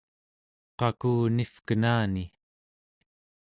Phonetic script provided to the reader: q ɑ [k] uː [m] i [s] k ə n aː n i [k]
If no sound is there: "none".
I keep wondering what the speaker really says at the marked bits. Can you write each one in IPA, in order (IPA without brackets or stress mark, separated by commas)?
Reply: k, n, f, none